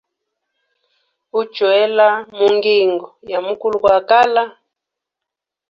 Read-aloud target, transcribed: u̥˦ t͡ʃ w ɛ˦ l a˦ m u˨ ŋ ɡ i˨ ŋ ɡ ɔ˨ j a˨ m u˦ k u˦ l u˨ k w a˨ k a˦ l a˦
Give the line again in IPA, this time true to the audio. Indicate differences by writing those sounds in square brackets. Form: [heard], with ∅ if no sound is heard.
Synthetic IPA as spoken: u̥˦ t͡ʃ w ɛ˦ l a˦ m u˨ ŋ ɡ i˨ ŋ ɡ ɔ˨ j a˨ m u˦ k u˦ l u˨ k w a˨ k a˦ l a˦